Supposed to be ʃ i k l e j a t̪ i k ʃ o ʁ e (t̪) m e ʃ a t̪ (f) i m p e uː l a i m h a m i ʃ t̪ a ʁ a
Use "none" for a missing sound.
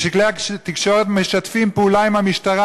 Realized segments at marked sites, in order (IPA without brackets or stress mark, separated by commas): t̪, f